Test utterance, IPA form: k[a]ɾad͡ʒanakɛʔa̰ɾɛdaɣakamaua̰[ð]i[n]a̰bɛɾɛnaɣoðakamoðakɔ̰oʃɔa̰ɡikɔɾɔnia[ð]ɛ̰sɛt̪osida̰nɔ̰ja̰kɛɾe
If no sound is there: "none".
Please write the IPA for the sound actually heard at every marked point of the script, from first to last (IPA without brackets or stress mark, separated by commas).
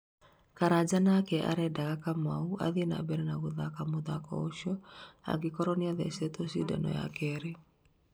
a, ð, n, ð